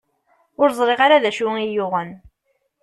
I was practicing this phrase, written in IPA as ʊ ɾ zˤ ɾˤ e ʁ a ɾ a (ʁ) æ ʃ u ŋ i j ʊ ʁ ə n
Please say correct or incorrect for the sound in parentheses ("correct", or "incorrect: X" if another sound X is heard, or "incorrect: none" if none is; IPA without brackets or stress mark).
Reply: incorrect: ð